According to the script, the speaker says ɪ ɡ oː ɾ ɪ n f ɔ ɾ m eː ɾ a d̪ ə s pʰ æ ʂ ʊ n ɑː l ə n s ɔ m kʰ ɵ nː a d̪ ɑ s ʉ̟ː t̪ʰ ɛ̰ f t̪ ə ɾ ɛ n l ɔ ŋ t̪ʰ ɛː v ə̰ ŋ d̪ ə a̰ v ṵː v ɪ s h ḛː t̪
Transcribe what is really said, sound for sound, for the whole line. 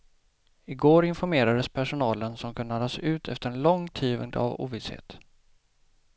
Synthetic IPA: ɪ ɡ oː ɾ ɪ n f ɔ ɾ m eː ɾ a d̪ ə s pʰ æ ʂ ʊ n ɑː l ə n s ɔ m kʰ ɵ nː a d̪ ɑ s ʉ̟ː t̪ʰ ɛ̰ f t̪ ə ɾ ɛ n l ɔ ŋ t̪ʰ iː v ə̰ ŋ d̪ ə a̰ v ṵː v ɪ s h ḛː t̪